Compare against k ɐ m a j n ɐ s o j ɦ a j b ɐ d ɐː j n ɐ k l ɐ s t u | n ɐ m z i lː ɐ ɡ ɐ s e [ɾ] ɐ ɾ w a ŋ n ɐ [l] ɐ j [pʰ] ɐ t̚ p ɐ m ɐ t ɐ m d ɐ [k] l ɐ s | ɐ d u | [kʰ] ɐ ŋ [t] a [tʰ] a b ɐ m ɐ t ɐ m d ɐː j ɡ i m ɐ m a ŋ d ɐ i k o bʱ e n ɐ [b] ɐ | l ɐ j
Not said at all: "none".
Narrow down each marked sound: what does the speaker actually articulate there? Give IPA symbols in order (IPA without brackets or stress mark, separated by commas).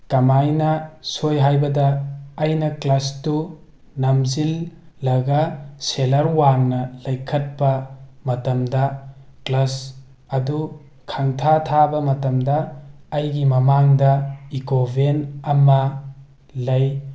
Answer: l, l, kʰ, k, kʰ, tʰ, tʰ, m